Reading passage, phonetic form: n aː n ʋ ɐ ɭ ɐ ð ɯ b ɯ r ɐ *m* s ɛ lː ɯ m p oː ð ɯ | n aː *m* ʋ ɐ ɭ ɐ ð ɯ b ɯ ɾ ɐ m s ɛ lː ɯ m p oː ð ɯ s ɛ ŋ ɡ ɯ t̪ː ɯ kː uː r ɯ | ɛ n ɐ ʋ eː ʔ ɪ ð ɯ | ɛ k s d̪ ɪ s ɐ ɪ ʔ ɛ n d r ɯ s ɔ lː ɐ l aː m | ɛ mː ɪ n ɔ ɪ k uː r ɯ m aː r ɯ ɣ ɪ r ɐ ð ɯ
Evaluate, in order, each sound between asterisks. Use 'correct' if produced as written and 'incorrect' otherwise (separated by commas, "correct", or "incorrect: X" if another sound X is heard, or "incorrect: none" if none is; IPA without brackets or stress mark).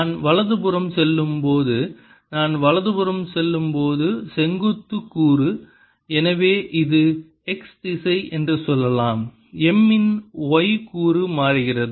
correct, incorrect: n